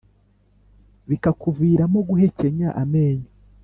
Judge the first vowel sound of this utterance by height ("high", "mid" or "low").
high